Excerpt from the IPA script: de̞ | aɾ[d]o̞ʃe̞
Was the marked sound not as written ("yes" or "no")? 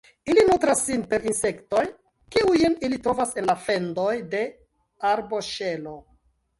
yes